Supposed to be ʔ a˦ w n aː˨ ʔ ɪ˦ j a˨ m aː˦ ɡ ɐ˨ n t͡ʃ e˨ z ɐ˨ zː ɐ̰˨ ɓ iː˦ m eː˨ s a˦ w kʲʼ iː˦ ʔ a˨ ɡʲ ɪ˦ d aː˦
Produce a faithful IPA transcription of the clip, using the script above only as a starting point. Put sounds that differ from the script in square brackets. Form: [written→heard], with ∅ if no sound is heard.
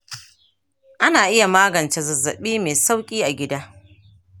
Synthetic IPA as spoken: ʔ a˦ [w→∅] n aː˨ ʔ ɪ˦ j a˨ m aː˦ ɡ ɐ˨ n t͡ʃ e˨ z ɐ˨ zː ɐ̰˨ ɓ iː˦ m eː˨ s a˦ w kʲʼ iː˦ ʔ a˨ ɡʲ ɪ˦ d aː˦